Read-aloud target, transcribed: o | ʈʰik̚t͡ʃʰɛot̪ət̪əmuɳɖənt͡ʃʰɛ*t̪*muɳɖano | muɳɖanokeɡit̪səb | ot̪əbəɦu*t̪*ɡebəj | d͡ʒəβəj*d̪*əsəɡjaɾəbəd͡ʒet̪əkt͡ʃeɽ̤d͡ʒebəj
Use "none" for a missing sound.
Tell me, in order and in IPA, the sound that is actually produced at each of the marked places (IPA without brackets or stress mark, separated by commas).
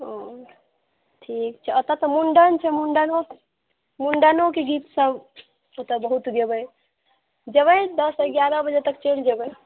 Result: none, t̪, d̪